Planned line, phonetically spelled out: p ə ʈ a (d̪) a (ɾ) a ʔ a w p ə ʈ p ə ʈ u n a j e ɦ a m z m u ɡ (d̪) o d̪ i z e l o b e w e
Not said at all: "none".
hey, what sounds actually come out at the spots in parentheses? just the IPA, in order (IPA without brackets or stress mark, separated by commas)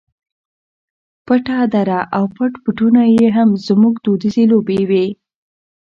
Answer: d̪, ɾ, d̪